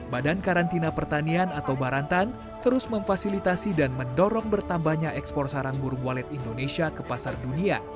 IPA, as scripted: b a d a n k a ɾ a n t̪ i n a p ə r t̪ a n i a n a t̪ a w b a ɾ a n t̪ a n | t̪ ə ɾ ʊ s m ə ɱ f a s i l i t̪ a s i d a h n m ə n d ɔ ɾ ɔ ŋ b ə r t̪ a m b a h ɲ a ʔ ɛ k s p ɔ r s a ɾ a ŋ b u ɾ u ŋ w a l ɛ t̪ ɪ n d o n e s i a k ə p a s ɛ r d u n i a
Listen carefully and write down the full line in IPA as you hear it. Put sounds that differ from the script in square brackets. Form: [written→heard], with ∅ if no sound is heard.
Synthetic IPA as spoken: b a d a n k a ɾ a n t̪ i n a p ə r t̪ a n i a n a t̪ a w b a ɾ a n t̪ a n | t̪ ə ɾ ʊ s m ə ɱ f a s i l i t̪ a s i d a [h→∅] n m ə n d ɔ ɾ ɔ ŋ b ə r t̪ a m b a h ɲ a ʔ ɛ k s p ɔ r s a ɾ a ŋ b u ɾ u ŋ w a l ɛ t̪ [ɪ→i] n d o n e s i a k ə p a s [ɛ→a] r d u n i a